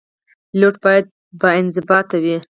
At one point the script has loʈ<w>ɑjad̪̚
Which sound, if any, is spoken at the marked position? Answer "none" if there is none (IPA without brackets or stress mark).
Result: b